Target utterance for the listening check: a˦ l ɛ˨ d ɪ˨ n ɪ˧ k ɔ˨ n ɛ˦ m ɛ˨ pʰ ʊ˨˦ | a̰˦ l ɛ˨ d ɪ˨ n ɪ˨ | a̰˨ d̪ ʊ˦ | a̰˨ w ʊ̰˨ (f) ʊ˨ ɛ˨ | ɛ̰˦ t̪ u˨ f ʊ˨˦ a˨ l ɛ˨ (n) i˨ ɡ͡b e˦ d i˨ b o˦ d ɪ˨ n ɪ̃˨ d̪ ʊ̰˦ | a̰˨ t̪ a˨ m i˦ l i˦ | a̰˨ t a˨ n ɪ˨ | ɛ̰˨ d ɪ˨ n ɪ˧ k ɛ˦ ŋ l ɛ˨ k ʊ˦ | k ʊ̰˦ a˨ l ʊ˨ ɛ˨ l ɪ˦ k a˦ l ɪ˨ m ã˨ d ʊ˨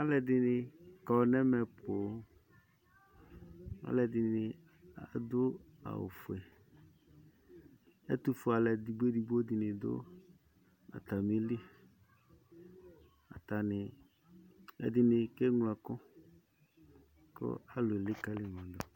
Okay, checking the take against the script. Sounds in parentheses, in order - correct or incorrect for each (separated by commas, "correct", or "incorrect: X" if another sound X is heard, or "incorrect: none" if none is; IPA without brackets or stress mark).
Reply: correct, incorrect: d